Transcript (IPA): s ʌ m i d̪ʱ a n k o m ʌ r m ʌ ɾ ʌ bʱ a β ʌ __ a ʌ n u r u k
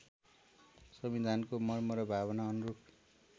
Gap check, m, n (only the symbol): n